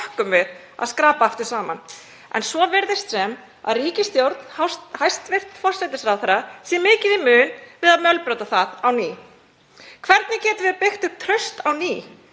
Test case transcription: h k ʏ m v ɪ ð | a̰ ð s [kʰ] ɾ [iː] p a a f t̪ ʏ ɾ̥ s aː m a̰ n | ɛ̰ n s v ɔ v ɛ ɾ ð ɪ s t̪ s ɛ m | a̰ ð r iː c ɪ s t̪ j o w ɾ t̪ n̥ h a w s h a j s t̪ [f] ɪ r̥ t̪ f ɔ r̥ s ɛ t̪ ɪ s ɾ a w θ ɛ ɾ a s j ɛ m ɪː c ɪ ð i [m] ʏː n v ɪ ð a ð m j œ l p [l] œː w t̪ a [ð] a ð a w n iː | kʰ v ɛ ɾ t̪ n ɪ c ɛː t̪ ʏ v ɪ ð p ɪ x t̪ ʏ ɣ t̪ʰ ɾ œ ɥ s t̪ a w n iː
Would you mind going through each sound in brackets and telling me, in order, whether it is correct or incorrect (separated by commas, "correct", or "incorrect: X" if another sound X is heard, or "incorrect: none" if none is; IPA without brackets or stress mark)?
incorrect: k, incorrect: aː, incorrect: v, correct, incorrect: ɾ, incorrect: θ